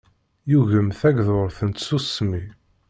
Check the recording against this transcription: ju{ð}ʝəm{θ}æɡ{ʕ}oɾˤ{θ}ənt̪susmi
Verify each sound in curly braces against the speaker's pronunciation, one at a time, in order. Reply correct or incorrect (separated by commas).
incorrect, correct, incorrect, correct